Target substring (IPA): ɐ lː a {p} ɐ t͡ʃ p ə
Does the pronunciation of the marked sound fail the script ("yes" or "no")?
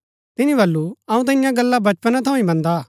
yes